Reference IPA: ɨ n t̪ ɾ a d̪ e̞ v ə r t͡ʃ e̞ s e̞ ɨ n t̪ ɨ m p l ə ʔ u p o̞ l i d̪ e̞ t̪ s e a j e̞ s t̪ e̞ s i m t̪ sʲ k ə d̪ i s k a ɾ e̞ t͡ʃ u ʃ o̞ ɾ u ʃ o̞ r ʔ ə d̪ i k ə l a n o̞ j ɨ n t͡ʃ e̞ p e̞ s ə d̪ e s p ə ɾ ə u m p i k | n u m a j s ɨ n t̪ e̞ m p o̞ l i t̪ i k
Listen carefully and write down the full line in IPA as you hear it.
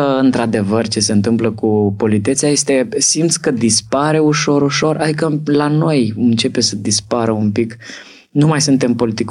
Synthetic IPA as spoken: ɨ n t̪ ɾ a d̪ e̞ v ə r t͡ʃ e̞ s e̞ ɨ n t̪ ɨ m p l ə k u p o̞ l i t̪ e̞ t̪ s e a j e̞ s t̪ e̞ s i m t̪ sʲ k ə d̪ i s p a ɾ e̞ u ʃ o̞ ɾ u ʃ o̞ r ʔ a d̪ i k ə l a n o̞ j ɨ n t͡ʃ e̞ p e̞ s ə d̪ i s p a ɾ ə u m p i k | n u m a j s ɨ n t̪ e̞ m p o̞ l i t̪ i k